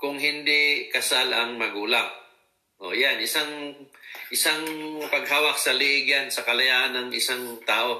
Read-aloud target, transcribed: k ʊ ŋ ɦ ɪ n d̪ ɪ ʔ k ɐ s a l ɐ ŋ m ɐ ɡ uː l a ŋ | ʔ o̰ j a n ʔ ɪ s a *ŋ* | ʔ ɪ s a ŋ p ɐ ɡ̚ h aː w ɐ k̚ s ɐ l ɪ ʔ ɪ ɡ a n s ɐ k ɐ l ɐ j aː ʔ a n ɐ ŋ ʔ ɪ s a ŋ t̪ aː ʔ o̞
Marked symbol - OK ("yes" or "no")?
yes